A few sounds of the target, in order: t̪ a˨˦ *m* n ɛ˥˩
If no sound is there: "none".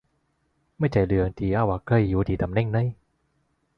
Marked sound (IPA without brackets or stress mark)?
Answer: m